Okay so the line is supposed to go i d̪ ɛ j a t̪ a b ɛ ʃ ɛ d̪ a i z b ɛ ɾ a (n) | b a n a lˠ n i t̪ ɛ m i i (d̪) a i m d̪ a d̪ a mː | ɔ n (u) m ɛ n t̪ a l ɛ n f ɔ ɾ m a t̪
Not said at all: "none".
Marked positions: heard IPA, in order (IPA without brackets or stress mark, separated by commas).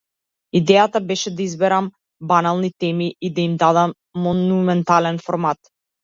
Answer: m, d̪, u